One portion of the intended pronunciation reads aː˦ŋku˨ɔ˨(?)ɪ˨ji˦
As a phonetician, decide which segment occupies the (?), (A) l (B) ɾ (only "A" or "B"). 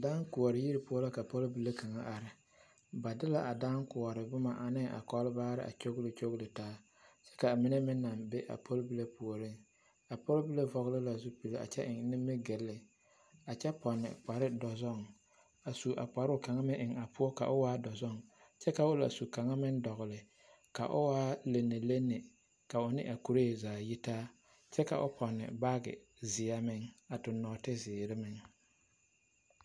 B